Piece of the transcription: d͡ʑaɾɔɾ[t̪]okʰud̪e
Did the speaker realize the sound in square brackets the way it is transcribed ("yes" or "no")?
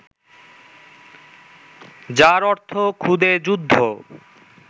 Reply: no